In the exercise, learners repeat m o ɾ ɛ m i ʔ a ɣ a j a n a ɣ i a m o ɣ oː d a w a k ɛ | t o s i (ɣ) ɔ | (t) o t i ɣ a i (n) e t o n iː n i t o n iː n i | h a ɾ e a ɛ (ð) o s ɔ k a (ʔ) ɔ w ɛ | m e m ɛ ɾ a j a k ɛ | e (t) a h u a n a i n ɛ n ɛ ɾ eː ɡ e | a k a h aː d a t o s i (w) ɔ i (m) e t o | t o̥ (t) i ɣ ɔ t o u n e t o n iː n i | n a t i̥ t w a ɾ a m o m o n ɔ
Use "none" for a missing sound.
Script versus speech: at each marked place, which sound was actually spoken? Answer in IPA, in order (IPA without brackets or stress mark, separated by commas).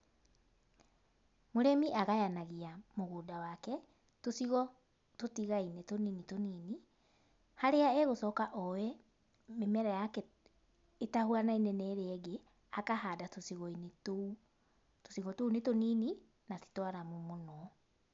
ɣ, t, n, ɣ, ʔ, t, ɣ, n, s